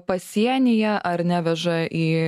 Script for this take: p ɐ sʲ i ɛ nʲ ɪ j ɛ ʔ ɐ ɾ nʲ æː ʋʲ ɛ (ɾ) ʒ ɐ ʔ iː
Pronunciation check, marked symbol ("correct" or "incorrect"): incorrect